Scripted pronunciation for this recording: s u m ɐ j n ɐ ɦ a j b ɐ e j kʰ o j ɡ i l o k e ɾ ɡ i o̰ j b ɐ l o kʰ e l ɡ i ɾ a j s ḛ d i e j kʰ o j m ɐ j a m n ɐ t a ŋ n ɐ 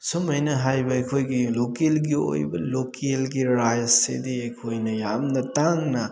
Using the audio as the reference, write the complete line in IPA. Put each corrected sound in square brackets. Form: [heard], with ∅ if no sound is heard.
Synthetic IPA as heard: s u m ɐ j n ɐ ɦ a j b ɐ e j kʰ o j ɡ i l o k e [l] ɡ i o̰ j b ɐ l o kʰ e l ɡ i ɾ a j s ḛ d i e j kʰ o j [n] ɐ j a m n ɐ t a ŋ n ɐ